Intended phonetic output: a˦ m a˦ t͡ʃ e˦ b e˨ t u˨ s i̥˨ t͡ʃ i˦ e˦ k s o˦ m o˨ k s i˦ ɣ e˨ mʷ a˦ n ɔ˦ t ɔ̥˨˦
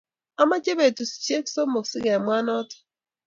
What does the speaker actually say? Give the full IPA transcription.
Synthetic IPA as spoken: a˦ m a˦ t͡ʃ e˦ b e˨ t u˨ s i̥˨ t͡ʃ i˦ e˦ k s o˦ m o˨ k s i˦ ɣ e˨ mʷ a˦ n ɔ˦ t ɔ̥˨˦